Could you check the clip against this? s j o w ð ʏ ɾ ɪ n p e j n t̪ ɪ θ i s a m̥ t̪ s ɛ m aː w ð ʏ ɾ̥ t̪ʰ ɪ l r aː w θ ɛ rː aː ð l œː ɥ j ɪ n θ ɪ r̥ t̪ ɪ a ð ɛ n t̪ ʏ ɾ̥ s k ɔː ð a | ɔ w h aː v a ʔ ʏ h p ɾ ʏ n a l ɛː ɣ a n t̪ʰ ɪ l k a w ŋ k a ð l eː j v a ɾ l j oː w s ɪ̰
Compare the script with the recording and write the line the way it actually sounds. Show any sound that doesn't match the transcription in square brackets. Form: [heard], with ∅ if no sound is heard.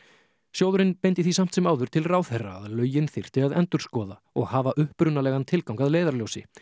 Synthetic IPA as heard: s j o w ð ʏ ɾ ɪ n p e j n t̪ ɪ θ i s a m̥ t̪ s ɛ m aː w ð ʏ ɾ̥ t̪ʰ ɪ l r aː w θ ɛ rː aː ð l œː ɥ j ɪ n θ ɪ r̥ t̪ ɪ a ð ɛ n t̪ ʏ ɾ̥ s k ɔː ð a | ɔ [ɣ] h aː v a ʔ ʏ h p ɾ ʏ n a l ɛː ɣ a n t̪ʰ ɪ l k a w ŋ k a ð l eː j [ð] a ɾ l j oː w s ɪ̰

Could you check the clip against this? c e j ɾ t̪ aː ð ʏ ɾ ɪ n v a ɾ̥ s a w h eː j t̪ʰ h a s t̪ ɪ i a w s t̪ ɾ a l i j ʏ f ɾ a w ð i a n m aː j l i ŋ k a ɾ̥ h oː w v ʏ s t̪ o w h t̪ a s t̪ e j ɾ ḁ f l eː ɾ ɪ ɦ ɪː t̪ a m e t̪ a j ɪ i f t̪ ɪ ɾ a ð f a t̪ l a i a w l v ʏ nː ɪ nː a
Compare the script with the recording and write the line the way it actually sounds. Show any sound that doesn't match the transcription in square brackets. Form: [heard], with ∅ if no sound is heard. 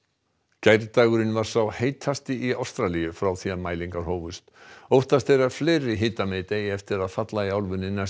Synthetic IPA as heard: c [a] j ɾ t̪ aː [ɣ] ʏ ɾ ɪ n v a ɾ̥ s a w h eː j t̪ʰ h a s t̪ ɪ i a w s t̪ ɾ a l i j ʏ f ɾ a w [θ] i a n m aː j l i ŋ k a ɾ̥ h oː w v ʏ s t̪ o w h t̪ a s t̪ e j ɾ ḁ f l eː ɾ ɪ ɦ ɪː t̪ a m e t̪ [e] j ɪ [ɛ] f t̪ ɪ ɾ a ð f a t̪ l a i a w l v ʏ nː ɪ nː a

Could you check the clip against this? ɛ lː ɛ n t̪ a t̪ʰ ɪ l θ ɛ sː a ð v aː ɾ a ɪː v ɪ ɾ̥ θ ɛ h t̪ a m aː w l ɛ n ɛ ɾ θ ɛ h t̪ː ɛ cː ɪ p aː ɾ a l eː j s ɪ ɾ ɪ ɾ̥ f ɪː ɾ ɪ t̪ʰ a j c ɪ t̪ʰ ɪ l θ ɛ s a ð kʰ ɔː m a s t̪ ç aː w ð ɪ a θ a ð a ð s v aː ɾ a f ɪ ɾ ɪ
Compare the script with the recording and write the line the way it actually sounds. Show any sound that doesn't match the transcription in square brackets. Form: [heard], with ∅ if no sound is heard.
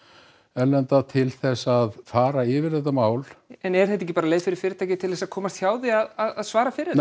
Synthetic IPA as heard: ɛ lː ɛ n t̪ a t̪ʰ ɪ l θ ɛ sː a ð [f] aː ɾ a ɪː v ɪ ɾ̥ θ ɛ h t̪ a m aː w l ɛ n ɛ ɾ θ ɛ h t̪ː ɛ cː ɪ p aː ɾ a l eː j [f] ɪ ɾ ɪ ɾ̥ f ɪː ɾ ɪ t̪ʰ a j c ɪ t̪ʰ ɪ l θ ɛ s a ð kʰ ɔː m a s t̪ ç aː w ð ɪ a [ð] a ð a ð s v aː ɾ a f ɪ ɾ ɪ

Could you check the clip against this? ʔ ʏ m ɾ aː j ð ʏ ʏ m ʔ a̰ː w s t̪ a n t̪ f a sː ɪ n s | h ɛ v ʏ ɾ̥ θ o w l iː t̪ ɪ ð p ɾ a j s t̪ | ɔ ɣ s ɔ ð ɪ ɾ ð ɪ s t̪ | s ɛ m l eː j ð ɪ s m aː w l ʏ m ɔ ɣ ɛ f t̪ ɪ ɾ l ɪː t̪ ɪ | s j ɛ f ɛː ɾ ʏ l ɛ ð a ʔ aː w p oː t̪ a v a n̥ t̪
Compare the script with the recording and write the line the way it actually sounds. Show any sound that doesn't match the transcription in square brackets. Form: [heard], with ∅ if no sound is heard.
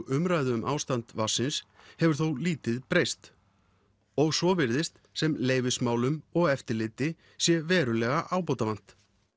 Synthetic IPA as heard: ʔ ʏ m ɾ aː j ð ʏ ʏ m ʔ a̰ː w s t̪ a n t̪ [v] a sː ɪ n s | h ɛ v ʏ ɾ̥ θ o w l iː t̪ ɪ ð p ɾ [e] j s t̪ | ɔ ɣ s ɔ [v] ɪ ɾ ð ɪ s t̪ | s ɛ m l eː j [v] ɪ s m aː w l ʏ m ɔ ɣ ɛ f t̪ ɪ ɾ l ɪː t̪ ɪ | s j ɛ [v] ɛː ɾ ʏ l ɛ [ɣ] a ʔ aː w p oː t̪ a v a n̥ t̪

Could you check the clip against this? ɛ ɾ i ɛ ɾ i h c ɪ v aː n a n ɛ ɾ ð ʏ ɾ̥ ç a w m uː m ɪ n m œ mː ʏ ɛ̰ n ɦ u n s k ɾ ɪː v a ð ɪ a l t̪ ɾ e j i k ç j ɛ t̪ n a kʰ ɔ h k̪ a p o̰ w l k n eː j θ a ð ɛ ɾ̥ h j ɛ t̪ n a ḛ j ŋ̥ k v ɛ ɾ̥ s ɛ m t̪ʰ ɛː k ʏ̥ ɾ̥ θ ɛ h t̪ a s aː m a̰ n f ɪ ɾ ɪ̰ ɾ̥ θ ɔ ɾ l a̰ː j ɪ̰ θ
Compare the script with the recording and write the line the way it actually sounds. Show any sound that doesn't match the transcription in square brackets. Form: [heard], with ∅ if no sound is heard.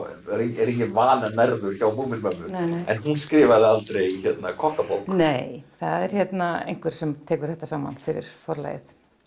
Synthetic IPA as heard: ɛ ɾ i ɛ ɾ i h c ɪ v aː n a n ɛ ɾ ð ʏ ɾ̥ ç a w m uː m ɪ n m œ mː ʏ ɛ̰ n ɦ u n s k ɾ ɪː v a ð ɪ a l t̪ ɾ e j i [∅] ç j ɛ t̪ n a kʰ ɔ h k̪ a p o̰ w l k n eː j θ a ð ɛ ɾ̥ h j ɛ t̪ n a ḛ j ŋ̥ k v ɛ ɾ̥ s ɛ m t̪ʰ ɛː k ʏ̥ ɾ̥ θ ɛ h t̪ a s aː m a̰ n f ɪ ɾ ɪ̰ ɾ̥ [f] ɔ ɾ l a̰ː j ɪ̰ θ

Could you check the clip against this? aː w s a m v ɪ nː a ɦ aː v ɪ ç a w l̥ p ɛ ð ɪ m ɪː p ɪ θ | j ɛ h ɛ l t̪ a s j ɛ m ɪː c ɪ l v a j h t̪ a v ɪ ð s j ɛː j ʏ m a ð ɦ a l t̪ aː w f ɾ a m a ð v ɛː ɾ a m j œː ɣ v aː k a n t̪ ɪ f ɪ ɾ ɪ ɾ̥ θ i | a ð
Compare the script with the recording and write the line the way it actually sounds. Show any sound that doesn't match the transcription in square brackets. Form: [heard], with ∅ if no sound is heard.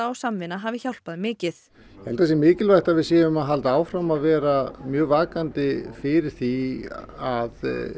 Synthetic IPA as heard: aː w s a m v ɪ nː a ɦ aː v ɪ ç a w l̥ p [a] ð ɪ m ɪː [c] ɪ θ | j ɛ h ɛ l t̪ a s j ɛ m ɪː c ɪ l v a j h t̪ a v ɪ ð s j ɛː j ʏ m a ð ɦ a l t̪ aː w f ɾ a m a ð v ɛː ɾ a m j œː ɣ v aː k a n t̪ ɪ f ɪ ɾ ɪ ɾ̥ θ i | a ð

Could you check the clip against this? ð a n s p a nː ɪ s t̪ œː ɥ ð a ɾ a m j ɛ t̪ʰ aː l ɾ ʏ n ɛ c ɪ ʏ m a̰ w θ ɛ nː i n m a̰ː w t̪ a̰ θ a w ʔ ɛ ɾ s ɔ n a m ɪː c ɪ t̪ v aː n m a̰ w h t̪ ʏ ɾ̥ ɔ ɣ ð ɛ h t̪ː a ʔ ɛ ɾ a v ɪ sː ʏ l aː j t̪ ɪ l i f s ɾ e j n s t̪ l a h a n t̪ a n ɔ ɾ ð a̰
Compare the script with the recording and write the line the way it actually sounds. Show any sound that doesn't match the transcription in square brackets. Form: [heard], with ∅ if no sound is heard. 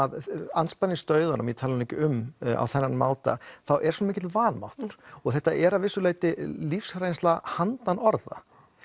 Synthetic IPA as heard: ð a n s p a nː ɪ s t̪ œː ɥ ð a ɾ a m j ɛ t̪ʰ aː l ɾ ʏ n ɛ c ɪ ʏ m a̰ w θ ɛ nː [a] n m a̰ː w t̪ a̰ θ a w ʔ ɛ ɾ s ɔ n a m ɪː c ɪ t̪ v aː n m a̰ w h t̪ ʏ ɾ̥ ɔ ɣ [θ] ɛ h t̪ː a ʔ ɛ ɾ a v ɪ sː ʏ l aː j t̪ ɪ l i f s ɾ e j n s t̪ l a h a n t̪ a n ɔ ɾ ð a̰

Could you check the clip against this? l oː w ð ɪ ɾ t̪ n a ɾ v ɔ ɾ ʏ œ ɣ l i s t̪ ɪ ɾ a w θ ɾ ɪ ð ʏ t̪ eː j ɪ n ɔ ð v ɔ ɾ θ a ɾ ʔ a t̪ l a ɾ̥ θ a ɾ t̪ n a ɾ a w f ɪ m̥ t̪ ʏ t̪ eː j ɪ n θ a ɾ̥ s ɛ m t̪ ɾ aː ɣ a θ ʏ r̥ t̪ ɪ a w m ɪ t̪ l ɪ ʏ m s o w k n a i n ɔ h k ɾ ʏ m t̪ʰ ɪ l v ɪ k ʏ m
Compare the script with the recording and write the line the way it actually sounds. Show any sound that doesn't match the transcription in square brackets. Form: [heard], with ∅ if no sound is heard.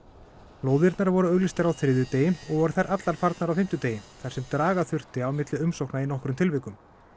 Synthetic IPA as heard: l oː w ð ɪ ɾ t̪ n a ɾ v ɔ ɾ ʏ œ ɣ l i s t̪ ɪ ɾ a w θ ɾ ɪ ð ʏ t̪ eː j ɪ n ɔ [ɣ] v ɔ ɾ θ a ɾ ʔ a t̪ l a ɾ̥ [f] a ɾ t̪ n a ɾ a w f ɪ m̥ t̪ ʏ t̪ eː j ɪ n θ a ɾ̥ s ɛ m t̪ ɾ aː ɣ a θ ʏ r̥ t̪ ɪ a w m ɪ t̪ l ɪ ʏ m s o w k n a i n ɔ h k ɾ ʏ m t̪ʰ ɪ l v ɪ k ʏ m

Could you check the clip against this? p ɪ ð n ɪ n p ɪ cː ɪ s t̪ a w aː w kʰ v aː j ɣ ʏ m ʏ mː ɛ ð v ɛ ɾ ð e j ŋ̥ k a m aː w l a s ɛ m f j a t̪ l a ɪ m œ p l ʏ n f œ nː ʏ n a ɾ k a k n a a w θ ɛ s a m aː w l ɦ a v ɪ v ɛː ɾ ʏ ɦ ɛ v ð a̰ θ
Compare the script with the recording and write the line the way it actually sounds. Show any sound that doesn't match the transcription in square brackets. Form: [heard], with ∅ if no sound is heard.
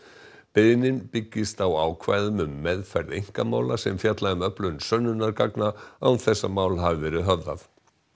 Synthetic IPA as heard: p ɪ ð n ɪ n p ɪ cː ɪ s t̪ a w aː w kʰ v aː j [ð] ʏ m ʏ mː ɛ ð [f] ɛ ɾ ð e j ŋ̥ k a m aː w l a s ɛ m f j a t̪ l a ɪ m œ p l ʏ n [s] œ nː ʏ n a ɾ k a k n a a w θ ɛ [sː] a m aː w l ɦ a v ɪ v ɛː ɾ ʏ ɦ [œ] v ð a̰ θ

